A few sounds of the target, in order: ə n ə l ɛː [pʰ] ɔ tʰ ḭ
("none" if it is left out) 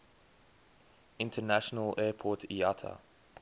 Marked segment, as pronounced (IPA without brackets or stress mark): pʰ